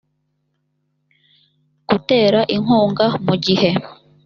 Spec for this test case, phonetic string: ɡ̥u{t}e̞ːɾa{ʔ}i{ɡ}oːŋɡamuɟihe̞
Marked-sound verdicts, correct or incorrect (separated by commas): correct, correct, incorrect